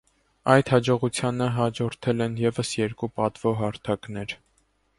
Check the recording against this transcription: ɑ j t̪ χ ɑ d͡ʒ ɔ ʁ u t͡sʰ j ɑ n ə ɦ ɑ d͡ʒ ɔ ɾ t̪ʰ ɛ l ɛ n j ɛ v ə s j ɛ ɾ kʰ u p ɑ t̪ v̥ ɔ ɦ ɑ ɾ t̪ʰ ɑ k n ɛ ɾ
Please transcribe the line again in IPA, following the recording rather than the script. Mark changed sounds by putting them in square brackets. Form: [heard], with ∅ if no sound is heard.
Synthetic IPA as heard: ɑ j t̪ [h] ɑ d͡ʒ ɔ ʁ u t͡sʰ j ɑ n ə ɦ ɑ d͡ʒ ɔ ɾ t̪ʰ ɛ l ɛ n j ɛ v ə s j ɛ ɾ [k] u p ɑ t̪ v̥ ɔ ɦ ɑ ɾ t̪ʰ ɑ k n ɛ ɾ